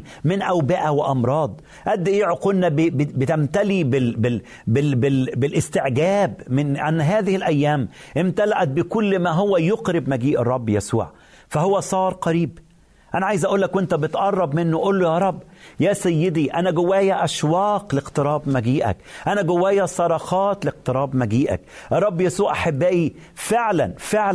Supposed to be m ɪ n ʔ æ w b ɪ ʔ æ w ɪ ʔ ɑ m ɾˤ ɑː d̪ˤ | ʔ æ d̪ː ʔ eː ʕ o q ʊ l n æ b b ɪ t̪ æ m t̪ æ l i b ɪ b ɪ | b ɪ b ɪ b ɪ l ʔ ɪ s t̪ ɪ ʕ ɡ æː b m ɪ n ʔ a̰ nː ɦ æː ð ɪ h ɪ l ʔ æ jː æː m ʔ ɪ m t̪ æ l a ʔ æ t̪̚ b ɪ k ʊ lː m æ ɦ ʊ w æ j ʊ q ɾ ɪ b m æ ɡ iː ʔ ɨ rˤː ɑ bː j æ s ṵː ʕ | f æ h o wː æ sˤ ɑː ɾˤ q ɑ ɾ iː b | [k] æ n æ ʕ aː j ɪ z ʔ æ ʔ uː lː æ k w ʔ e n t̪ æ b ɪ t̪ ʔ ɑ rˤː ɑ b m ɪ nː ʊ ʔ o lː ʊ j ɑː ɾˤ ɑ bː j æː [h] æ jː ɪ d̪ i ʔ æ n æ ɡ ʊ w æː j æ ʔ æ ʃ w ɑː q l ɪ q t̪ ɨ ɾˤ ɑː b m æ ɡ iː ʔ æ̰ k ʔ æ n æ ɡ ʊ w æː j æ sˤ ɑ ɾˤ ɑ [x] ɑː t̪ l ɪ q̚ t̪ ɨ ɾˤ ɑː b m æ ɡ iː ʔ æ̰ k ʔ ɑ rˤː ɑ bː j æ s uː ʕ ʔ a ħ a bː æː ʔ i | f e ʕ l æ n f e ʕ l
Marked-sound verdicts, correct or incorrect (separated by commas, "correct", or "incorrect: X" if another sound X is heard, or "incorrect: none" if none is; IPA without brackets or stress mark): incorrect: ʔ, incorrect: s, correct